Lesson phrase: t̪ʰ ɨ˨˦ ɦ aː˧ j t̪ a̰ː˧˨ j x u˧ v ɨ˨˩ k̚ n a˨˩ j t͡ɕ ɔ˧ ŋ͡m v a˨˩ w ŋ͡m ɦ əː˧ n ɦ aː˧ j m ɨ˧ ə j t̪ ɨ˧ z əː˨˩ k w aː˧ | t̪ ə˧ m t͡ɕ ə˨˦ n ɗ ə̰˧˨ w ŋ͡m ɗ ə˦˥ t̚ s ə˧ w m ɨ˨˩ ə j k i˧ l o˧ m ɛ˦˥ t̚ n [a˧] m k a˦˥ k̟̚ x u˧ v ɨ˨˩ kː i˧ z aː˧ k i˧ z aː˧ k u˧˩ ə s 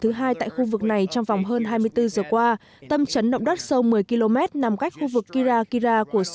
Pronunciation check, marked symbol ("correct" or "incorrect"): incorrect